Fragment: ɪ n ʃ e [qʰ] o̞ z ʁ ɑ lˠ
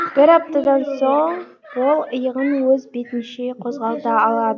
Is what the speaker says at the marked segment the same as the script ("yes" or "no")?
yes